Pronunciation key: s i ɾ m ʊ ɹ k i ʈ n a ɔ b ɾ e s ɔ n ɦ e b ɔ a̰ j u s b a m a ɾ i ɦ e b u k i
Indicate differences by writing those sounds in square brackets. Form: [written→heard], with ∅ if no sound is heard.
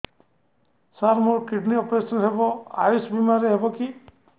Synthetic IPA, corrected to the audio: s [i→a] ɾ m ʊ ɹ k i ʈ n [a→i] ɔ [b→p] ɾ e s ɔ n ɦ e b ɔ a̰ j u s b [a→i] m a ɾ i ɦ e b [u→ɔ] k i